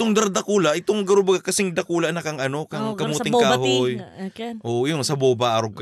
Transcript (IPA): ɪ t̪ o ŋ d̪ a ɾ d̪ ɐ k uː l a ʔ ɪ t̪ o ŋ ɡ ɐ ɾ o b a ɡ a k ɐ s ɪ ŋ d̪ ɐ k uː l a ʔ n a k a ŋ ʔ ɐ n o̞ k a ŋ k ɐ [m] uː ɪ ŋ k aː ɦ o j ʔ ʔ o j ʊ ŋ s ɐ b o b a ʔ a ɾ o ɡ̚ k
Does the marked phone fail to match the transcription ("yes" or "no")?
no